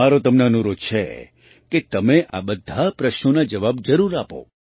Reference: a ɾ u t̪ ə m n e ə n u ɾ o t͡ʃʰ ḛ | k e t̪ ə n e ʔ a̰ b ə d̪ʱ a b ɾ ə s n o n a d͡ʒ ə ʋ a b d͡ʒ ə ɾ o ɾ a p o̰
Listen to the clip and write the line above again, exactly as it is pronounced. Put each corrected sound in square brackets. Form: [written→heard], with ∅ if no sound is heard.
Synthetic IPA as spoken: a ɾ [u→o] t̪ ə m n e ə n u ɾ o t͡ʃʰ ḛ | k e t̪ ə [n→m] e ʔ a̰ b ə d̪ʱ a [b→p] ɾ ə [s→ʃ] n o n a d͡ʒ ə ʋ a b d͡ʒ ə ɾ [o→u] ɾ a p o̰

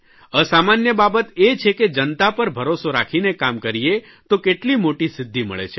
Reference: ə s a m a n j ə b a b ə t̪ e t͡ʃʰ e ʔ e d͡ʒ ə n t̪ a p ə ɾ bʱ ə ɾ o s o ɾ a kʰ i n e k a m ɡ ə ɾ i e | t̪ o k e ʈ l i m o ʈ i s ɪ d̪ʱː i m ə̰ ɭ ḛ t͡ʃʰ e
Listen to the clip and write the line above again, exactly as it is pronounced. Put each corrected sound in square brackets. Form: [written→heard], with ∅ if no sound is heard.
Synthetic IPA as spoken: ə s a m a n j ə b a b ə t̪ e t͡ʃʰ e [ʔ→k] e d͡ʒ ə n t̪ a p ə ɾ bʱ ə ɾ o s o ɾ a kʰ i n e k a m [ɡ→k] ə ɾ i e | t̪ o k e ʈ l i m o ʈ i s ɪ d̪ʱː i m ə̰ ɭ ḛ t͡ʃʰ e

